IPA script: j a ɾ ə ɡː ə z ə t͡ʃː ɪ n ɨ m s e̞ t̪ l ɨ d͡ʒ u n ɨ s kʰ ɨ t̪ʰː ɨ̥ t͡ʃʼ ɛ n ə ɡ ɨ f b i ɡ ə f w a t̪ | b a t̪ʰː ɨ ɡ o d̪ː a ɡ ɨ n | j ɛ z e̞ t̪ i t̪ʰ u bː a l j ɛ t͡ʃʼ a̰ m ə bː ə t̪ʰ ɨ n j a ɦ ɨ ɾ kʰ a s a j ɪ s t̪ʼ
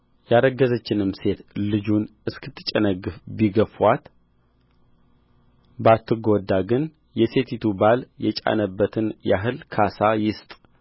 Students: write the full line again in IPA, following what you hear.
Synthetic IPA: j a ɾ ə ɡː ə z ə t͡ʃː ɪ n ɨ m s e̞ t̪ l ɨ d͡ʒ u n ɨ s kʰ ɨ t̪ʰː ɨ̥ t͡ʃʼ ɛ n ə ɡ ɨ f b i ɡ ə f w a t̪ | b a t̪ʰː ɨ ɡ o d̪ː a ɡ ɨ n | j ɛ s e̞ t̪ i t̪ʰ u b a l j ɛ t͡ʃʼ a̰ n ə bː ə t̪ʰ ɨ n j a ɦ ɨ l kʰ a s a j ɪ s t̪ʼ